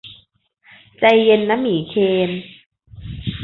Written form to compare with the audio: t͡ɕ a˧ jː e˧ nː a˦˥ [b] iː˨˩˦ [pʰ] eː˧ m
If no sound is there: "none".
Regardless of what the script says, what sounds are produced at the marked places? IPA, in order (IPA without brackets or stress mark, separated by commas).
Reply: m, kʰ